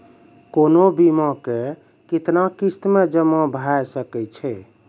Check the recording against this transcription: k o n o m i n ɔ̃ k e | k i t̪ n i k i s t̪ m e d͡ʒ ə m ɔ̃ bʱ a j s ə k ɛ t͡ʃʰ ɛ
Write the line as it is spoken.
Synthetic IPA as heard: k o n o b i m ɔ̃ k e | k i t̪ n a k i s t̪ m e d͡ʒ ə m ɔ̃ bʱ a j s ə k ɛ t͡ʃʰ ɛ